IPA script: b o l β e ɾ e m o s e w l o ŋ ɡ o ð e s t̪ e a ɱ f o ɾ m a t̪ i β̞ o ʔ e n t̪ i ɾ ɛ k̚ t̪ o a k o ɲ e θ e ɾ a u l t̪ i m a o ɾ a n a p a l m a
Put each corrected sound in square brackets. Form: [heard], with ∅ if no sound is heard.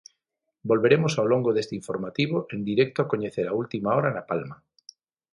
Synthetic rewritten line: b o l β e ɾ e m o s [a] w l o ŋ ɡ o ð e s t̪ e [i] ɱ f o ɾ m a t̪ i β̞ o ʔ e n [d̪] i ɾ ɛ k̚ t̪ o a k o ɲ e θ e ɾ a u l t̪ i m a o ɾ a n a p a l m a

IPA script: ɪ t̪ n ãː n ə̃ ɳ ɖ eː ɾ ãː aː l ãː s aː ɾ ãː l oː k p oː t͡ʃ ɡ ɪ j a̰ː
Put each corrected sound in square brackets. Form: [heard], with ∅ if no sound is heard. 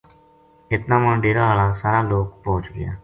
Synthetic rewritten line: ɪ t̪ n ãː [m] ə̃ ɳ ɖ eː ɾ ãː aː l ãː s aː ɾ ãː l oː k p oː t͡ʃ ɡ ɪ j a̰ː

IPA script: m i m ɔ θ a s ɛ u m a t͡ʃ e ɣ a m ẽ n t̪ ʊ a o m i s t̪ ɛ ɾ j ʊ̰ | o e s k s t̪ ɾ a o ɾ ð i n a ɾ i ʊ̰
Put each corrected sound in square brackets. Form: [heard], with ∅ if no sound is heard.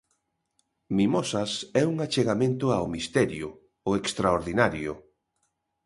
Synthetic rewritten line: m i m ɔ [s] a s ɛ u [ŋ] a t͡ʃ e ɣ a m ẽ n t̪ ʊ a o m i s t̪ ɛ ɾ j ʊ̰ | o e [∅] k s t̪ ɾ a o ɾ ð i n a ɾ [j] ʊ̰

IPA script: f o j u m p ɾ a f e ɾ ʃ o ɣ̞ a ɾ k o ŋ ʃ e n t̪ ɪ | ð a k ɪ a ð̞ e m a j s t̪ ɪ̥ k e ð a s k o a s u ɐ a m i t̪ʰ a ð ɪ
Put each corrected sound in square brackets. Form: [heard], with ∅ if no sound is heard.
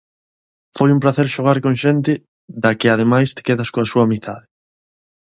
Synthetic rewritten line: f o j u m p ɾ a [θ] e ɾ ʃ o ɣ̞ a ɾ k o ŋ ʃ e n t̪ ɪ | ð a k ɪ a ð̞ e m a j s t̪ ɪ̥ k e ð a s k o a s u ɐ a m i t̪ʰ a ð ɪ

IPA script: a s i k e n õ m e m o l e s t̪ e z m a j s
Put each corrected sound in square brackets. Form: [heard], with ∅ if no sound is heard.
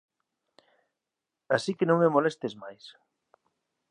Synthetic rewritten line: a s i k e n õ [ŋ] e m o l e s t̪ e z m a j s

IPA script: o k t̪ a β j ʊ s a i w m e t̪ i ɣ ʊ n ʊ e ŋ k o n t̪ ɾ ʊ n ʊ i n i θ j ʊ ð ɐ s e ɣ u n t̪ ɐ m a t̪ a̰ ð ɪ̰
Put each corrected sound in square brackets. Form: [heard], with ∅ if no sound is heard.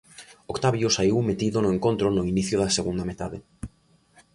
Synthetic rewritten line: o k t̪ a β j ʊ s a i w m e t̪ i [ð] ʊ n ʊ e ŋ k o n t̪ ɾ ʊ n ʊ i n i θ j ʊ ð ɐ s e ɣ u n [d̪] ɐ m [e] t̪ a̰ ð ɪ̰

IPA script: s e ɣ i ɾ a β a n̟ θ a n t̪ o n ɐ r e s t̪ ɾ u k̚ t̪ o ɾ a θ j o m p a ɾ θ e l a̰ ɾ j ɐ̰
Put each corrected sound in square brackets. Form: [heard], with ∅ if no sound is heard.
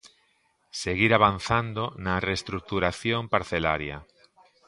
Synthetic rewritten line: s e ɣ i ɾ a β a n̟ θ a n [d̪] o n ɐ r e s t̪ ɾ u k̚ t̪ [u] ɾ a θ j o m p a ɾ θ e l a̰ ɾ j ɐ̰

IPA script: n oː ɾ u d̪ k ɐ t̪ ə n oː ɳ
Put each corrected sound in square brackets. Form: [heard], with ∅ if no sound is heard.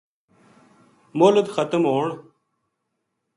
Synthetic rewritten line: [m] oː [l] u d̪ [x] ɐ t̪ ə [m] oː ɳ

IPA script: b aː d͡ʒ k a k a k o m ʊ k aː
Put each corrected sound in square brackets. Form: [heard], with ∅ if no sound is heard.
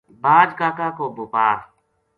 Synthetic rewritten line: b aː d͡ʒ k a k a k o [b] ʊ [p] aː

